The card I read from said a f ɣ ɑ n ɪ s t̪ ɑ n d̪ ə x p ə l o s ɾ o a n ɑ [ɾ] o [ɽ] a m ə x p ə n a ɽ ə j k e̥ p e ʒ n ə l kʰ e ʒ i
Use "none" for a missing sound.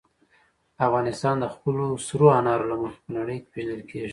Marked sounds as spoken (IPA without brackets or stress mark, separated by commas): ɾ, l